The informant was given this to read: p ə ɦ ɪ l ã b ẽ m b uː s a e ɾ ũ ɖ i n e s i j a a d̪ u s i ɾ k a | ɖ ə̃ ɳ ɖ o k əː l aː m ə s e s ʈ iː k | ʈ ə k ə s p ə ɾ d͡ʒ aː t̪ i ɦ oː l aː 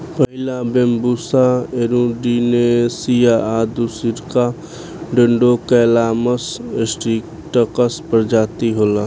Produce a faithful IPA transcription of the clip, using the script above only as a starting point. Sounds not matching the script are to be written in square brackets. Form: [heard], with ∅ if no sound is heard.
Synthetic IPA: p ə ɦ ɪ l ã b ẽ m b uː s a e ɾ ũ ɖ i n e s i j a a d̪ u s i ɾ k a | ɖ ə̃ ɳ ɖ o k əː l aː m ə s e s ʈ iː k | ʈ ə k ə s p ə ɾ d͡ʒ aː t̪ i ɦ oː l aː